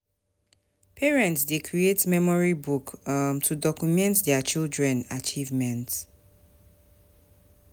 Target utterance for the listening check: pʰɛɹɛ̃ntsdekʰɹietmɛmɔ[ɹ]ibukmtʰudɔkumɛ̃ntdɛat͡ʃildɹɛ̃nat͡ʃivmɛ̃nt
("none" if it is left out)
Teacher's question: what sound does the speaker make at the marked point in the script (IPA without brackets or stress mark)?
ɹ